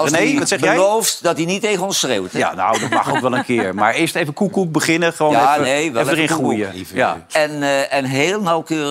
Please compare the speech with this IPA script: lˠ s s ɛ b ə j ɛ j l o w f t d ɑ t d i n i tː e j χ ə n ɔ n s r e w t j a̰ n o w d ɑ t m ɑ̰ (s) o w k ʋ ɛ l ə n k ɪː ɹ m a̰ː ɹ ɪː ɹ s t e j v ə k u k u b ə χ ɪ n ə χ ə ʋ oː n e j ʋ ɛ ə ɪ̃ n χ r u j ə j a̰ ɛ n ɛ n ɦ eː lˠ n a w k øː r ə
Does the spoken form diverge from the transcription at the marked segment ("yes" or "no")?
yes